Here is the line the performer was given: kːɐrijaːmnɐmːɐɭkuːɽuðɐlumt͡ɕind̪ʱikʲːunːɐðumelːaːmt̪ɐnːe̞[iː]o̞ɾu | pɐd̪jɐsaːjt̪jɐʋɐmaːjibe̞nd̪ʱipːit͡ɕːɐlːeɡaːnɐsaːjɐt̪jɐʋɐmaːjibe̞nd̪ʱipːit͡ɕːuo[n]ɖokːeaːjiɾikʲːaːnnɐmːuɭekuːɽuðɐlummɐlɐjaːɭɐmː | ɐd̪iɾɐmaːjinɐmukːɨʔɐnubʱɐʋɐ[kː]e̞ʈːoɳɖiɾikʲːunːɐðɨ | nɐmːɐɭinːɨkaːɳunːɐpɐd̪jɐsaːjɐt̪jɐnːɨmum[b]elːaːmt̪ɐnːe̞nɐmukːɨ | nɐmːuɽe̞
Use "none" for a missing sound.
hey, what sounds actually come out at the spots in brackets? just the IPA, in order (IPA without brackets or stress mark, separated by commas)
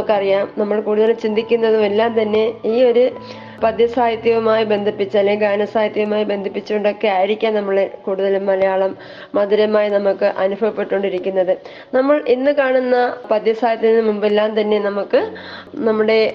iː, ɳ, pː, b